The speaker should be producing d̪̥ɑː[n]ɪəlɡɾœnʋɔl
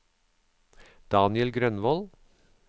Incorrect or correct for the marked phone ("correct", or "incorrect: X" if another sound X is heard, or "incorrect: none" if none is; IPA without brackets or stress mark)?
correct